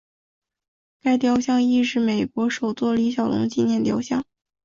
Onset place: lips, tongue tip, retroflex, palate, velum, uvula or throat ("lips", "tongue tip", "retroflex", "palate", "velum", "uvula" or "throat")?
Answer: velum